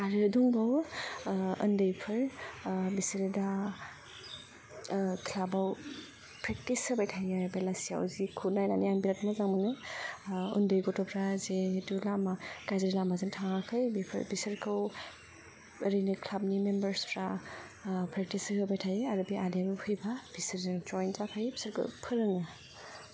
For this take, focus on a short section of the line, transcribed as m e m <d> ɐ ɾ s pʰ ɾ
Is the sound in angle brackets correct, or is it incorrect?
incorrect